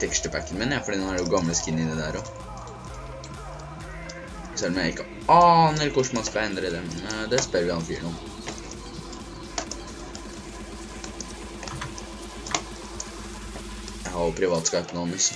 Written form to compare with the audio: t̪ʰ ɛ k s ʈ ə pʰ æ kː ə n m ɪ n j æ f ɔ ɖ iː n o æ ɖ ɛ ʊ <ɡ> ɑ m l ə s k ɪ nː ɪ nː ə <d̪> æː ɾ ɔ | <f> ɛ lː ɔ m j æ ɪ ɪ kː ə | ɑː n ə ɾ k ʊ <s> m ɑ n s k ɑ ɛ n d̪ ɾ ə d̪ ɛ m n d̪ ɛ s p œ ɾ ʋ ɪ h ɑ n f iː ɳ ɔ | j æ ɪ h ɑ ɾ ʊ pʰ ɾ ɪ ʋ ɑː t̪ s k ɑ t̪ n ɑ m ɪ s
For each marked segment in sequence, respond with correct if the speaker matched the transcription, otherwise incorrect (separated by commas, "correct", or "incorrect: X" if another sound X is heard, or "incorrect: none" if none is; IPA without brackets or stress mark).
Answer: correct, correct, incorrect: s, incorrect: ʂ